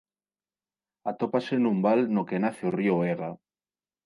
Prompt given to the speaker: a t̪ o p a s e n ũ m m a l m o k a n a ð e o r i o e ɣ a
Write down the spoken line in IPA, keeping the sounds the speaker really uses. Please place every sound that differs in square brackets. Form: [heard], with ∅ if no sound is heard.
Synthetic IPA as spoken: a t̪ o p a s e n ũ m [b] a l [n] o k [e] n a [θ] e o r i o e ɣ a